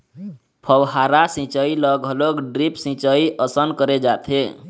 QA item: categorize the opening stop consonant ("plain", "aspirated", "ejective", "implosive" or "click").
aspirated